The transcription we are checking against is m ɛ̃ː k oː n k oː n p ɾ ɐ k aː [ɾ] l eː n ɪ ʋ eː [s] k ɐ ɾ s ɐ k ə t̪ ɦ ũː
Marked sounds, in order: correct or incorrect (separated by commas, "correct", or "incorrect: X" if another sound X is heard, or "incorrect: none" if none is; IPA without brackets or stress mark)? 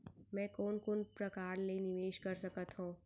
correct, incorrect: ʃ